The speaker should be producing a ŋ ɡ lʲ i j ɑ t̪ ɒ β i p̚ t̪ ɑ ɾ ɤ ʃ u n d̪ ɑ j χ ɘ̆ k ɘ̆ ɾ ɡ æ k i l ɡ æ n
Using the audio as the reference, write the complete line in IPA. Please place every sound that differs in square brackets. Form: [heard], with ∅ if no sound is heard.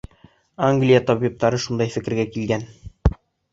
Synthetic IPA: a ŋ ɡ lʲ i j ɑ t̪ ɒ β i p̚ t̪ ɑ ɾ ɤ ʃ u n d̪ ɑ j [f] ɘ̆ k ɘ̆ ɾ ɡ æ k i l ɡ æ n